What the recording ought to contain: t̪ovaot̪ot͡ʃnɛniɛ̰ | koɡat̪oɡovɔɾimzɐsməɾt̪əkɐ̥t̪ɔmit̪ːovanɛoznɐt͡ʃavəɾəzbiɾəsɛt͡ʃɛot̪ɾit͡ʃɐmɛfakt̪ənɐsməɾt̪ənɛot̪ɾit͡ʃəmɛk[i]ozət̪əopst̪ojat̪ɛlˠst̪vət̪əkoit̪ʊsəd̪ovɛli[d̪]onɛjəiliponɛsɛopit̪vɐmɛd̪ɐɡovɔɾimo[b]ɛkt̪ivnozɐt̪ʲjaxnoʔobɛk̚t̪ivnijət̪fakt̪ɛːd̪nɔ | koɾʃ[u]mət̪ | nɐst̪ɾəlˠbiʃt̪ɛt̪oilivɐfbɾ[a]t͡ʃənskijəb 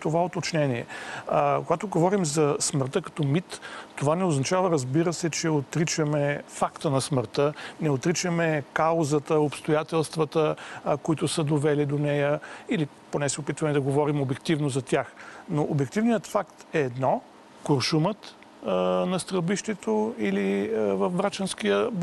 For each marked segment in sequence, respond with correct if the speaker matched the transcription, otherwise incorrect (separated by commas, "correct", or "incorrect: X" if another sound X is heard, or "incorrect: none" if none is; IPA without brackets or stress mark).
incorrect: a, correct, correct, correct, correct